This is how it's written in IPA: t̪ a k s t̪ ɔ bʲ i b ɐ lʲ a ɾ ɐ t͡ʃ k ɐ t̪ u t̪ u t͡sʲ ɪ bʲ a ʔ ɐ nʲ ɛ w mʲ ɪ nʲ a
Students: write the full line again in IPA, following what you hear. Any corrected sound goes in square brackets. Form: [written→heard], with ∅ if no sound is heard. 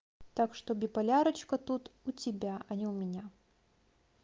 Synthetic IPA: t̪ a k [s→ʂ] t̪ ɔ bʲ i [b→p] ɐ lʲ a ɾ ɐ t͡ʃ k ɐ t̪ u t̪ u t͡sʲ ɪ bʲ a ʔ ɐ nʲ ɛ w mʲ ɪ nʲ a

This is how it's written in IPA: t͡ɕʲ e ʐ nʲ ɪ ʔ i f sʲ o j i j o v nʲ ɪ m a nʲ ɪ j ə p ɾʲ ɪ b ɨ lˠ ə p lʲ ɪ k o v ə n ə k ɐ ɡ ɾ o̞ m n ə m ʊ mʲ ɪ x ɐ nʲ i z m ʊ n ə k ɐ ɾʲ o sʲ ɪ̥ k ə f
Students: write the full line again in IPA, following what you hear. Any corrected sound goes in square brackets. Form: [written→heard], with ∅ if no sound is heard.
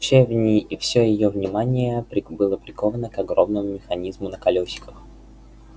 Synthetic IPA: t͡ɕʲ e [ʐ→v] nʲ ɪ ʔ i f sʲ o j [i→ɪ] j o v nʲ ɪ m a nʲ ɪ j ə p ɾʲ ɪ b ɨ lˠ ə p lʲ ɪ k o v ə n ə k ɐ ɡ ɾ o̞ m n ə m ʊ mʲ ɪ x ɐ nʲ i z m ʊ n ə k ɐ [ɾʲ→lʲ] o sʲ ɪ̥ k ə [f→x]

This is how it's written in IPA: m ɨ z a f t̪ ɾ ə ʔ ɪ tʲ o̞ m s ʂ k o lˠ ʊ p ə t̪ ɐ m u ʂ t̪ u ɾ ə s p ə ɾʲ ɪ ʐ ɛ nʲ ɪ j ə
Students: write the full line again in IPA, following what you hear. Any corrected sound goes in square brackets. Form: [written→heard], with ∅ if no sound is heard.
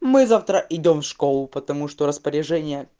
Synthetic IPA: m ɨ z a f t̪ ɾ ə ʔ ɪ [tʲ→dʲ] o̞ m [s→f] ʂ k o lˠ ʊ p ə t̪ ɐ m u ʂ t̪ [u→o] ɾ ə s p ə ɾʲ ɪ ʐ ɛ nʲ ɪ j ə

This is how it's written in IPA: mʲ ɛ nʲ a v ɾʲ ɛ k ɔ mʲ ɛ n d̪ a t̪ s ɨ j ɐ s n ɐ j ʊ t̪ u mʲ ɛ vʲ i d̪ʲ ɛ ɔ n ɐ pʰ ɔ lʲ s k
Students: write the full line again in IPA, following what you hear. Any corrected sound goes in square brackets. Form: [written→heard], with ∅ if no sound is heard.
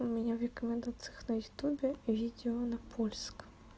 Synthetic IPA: mʲ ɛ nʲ a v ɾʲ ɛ k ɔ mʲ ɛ n d̪ a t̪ s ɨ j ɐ [s→x] n ɐ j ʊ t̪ u [mʲ→bʲ] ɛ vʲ i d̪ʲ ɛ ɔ n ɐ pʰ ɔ lʲ s k

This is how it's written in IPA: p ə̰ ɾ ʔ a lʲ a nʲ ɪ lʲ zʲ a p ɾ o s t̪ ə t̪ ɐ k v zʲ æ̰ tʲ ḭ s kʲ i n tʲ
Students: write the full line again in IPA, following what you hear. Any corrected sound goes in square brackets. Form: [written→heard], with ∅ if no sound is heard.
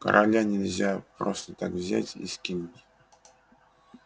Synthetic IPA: [p→k] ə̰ ɾ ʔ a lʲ a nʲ ɪ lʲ zʲ a p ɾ o s t̪ ə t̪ [ɐ→a] k v zʲ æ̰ tʲ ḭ s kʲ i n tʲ

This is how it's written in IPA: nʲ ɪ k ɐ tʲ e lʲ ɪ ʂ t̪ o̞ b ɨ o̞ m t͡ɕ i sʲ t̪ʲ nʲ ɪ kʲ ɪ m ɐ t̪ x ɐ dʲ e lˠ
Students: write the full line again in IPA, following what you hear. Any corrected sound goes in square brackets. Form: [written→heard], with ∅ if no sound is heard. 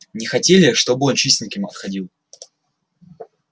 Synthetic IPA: nʲ ɪ [k→x] ɐ tʲ e lʲ ɪ ʂ t̪ o̞ b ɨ o̞ [m→n] t͡ɕ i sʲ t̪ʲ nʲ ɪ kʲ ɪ m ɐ t̪ x ɐ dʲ [e→i] lˠ

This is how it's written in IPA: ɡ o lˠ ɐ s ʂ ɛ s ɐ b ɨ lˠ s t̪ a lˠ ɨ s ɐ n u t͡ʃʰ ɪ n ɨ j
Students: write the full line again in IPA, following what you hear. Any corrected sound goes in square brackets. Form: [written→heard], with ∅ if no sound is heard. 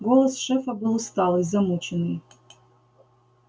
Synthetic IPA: ɡ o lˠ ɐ s ʂ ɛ [s→f] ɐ b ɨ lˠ s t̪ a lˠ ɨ [s→z] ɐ [n→m] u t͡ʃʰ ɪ n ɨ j

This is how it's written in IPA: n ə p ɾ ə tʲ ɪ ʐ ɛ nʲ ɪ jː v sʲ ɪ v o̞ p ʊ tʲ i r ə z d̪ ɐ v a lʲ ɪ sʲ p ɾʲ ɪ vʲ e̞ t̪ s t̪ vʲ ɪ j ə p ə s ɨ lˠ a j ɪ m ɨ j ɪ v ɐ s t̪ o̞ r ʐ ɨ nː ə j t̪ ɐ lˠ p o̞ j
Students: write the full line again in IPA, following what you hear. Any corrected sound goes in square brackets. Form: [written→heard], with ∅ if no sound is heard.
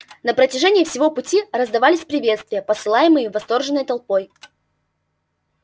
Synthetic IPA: n ə p ɾ ə tʲ ɪ ʐ ɛ nʲ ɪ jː [v→f] sʲ ɪ v o̞ p ʊ tʲ i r ə z d̪ ɐ v a lʲ ɪ sʲ p ɾʲ ɪ vʲ e̞ t̪ s t̪ vʲ ɪ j ə p ə s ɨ lˠ a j ɪ m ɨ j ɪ v ɐ s t̪ o̞ r ʐ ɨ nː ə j t̪ ɐ lˠ p o̞ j

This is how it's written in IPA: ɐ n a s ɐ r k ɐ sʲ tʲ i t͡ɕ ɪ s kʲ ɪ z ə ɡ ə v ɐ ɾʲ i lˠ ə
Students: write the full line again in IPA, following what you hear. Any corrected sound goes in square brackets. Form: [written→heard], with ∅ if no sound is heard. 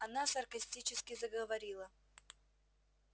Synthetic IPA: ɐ n a s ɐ r k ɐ sʲ tʲ i t͡ɕ ɪ s kʲ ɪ z ə ɡ ə v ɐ ɾʲ i lˠ ə

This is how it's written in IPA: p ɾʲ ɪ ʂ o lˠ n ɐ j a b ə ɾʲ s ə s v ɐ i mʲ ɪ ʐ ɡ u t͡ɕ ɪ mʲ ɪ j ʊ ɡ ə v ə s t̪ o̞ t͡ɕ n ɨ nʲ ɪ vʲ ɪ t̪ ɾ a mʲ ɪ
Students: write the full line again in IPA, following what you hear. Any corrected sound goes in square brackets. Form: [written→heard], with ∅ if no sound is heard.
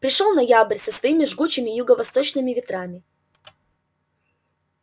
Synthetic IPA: p ɾʲ ɪ ʂ o lˠ n ɐ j a b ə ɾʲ s ə s v ɐ i mʲ ɪ ʐ ɡ u t͡ɕ ɪ mʲ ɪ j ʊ ɡ ə v [ə→ɐ] s t̪ o̞ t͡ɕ n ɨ [nʲ→mʲ] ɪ vʲ ɪ t̪ ɾ a mʲ ɪ

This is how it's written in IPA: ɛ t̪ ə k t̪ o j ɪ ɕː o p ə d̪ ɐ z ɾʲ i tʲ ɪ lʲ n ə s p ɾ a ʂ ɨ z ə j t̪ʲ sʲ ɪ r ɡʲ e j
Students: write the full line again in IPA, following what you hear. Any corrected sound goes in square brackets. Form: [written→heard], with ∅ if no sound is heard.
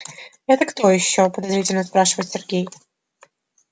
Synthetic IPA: ɛ t̪ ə k t̪ o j ɪ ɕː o p ə d̪ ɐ z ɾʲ i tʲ ɪ lʲ n ə s p ɾ a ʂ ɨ [z→v] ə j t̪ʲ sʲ ɪ r ɡʲ e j

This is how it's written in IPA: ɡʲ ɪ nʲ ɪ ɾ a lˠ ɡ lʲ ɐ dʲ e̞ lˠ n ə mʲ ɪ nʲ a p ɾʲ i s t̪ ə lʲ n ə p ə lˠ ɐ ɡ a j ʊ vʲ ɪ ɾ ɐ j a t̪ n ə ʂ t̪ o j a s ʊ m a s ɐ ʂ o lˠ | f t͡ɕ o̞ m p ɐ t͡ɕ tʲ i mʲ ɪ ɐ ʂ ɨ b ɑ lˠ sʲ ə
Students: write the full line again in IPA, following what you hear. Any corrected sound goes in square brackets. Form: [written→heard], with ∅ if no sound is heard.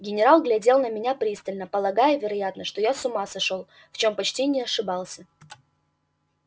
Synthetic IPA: ɡʲ ɪ nʲ ɪ ɾ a lˠ ɡ lʲ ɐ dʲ e̞ lˠ n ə mʲ ɪ nʲ a p ɾʲ i s t̪ ə lʲ n ə p ə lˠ ɐ ɡ a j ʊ vʲ ɪ ɾ ɐ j a t̪ n ə ʂ t̪ o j a s ʊ m a s ɐ ʂ o lˠ | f t͡ɕ o̞ m p ɐ t͡ɕ tʲ i [mʲ→nʲ] ɪ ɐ ʂ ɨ b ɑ lˠ sʲ ə

